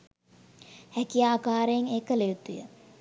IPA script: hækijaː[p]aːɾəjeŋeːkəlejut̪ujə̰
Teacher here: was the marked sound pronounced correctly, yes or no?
no